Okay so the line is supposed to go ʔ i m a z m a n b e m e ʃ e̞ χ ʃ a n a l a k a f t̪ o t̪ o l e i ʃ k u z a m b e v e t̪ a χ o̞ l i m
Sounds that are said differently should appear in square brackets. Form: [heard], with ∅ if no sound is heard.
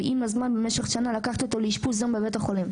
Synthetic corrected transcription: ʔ i m a z m a n b e m e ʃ e̞ χ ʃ a n a l a k a [χ] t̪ o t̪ o l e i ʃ [p] u z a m b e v e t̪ a χ o̞ l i m